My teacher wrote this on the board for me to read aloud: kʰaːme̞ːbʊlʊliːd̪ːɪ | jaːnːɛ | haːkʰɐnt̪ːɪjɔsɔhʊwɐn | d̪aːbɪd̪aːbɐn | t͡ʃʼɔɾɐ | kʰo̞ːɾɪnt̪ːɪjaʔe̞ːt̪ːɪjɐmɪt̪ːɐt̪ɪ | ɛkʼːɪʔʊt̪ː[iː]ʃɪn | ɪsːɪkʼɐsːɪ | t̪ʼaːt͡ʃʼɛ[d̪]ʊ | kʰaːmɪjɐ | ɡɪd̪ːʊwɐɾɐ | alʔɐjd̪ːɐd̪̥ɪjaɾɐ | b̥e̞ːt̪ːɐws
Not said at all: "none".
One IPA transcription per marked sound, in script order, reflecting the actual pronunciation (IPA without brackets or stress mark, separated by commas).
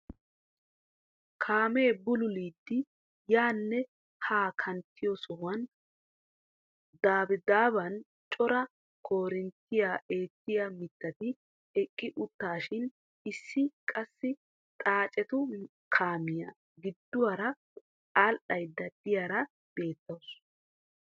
aː, t̪